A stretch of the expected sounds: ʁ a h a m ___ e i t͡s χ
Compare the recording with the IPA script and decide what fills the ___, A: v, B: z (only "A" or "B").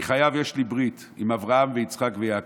A